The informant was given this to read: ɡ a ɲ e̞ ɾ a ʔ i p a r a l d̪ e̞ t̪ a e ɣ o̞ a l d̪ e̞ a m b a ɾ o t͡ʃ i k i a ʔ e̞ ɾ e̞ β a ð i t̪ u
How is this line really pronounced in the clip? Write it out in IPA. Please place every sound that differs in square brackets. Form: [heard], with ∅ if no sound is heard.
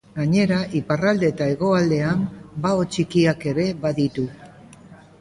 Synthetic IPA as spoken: ɡ a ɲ e̞ ɾ a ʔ i p a r a l d̪ e̞ t̪ a e ɣ o̞ a l d̪ e̞ a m b a [∅] o t͡ʃ i k i a [k] e̞ ɾ e̞ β a ð i t̪ u